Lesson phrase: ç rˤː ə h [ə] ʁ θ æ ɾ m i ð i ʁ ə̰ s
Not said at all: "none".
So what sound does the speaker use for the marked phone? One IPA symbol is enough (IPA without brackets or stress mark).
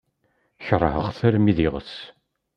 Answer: ə